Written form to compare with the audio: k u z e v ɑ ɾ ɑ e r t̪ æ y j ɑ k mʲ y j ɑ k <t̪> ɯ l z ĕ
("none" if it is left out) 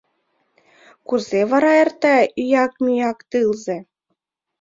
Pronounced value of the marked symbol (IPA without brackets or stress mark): t̪